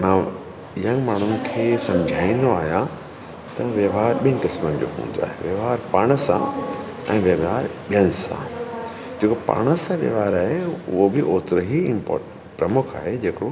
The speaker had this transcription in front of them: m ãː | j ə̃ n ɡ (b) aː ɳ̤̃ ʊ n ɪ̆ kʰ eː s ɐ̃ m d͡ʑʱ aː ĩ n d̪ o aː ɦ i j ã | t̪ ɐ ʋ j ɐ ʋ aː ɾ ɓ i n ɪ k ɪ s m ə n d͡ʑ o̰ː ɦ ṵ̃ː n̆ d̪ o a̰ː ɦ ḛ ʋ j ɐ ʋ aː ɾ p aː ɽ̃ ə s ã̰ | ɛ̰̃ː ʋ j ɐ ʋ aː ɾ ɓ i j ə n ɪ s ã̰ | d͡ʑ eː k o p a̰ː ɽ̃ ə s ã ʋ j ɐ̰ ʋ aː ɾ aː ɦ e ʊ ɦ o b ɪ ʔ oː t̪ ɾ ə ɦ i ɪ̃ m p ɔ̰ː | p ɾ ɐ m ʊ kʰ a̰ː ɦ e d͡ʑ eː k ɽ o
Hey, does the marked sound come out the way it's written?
no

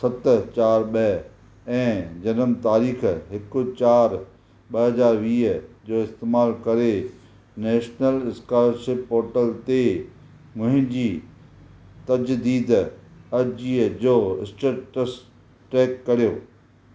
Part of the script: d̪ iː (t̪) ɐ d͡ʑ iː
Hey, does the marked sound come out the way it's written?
no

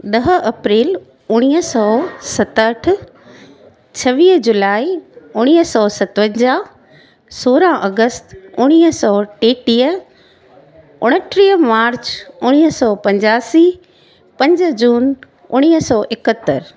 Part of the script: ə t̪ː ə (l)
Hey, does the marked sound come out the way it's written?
no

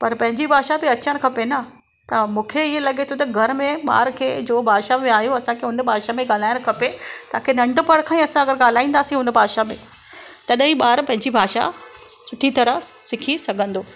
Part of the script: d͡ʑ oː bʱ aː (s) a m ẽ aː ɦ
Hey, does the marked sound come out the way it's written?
no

